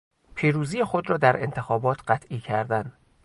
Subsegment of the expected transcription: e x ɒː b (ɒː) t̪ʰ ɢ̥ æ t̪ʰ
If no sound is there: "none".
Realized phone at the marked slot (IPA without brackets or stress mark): ɒː